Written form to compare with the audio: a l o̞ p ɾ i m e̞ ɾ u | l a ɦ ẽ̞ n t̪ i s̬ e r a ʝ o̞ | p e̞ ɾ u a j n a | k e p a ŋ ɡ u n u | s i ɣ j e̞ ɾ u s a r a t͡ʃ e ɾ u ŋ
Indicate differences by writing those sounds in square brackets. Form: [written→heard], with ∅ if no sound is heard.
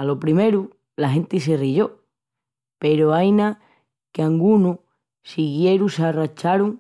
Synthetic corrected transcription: a l o̞ p ɾ i m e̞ ɾ u | l a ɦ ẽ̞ n t̪ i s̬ e r [a→i] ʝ o̞ | p e̞ ɾ [u→o] a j n a | k e [p→∅] a ŋ ɡ u n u | s i ɣ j e̞ ɾ u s a r a t͡ʃ [e→a] ɾ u ŋ